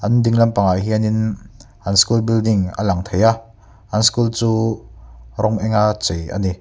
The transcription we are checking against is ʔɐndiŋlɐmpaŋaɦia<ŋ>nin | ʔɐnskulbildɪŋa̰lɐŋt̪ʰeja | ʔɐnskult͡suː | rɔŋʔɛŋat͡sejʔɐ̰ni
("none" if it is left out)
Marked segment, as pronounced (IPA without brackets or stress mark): none